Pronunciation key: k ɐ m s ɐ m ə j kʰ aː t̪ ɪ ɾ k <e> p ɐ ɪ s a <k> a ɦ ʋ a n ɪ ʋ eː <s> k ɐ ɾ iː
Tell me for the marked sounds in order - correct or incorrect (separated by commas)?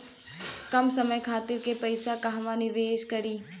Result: correct, correct, incorrect